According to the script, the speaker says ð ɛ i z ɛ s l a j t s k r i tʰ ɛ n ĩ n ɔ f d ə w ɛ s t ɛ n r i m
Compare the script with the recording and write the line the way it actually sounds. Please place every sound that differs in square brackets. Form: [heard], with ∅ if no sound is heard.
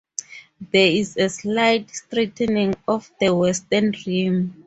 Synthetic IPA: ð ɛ i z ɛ s l a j t s [t] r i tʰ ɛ n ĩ [ŋ] ɔ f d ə w ɛ s t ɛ n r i m